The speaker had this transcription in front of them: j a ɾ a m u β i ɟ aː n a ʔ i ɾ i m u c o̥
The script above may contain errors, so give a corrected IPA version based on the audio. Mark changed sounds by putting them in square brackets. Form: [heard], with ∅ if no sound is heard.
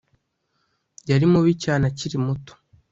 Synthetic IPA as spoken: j a ɾ [i] m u β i [c] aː n a [c] i ɾ i m u [t] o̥